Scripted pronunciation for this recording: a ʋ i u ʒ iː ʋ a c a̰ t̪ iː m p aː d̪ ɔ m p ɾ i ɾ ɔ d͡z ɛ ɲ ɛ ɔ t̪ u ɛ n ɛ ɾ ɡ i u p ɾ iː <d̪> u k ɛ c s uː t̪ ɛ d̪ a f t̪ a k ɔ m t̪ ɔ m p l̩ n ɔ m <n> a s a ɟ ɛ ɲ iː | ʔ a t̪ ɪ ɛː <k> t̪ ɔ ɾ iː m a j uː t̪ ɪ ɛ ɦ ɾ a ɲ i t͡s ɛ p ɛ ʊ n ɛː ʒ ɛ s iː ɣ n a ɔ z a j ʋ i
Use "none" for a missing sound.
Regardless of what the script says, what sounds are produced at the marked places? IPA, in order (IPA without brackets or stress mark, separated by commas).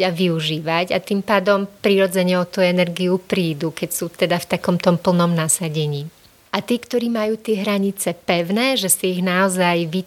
d̪, n, k